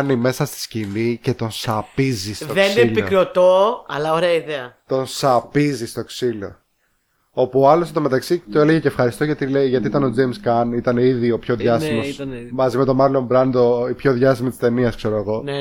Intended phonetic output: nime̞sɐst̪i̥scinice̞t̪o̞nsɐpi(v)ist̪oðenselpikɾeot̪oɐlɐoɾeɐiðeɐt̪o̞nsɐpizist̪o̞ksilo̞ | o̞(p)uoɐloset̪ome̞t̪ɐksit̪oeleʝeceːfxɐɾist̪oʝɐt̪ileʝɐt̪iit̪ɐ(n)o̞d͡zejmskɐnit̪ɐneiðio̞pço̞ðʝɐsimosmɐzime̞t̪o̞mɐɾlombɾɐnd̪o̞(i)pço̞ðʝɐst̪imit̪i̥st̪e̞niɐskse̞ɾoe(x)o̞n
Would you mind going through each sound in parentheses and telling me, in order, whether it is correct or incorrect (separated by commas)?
incorrect, correct, correct, correct, incorrect